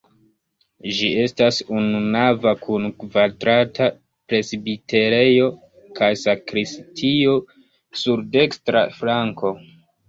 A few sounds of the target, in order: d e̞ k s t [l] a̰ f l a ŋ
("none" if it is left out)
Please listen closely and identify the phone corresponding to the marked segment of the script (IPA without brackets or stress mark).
ɾ